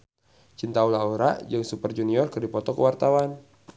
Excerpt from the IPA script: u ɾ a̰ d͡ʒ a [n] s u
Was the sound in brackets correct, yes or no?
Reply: no